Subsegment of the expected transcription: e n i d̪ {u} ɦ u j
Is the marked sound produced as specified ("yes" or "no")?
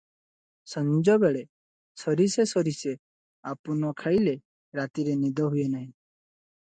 no